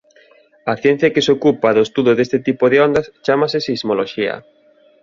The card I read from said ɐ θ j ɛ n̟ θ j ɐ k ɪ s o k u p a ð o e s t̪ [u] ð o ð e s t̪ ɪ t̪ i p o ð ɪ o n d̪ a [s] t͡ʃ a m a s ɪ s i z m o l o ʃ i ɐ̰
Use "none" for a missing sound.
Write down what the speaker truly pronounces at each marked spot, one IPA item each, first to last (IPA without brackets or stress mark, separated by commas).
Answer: u, s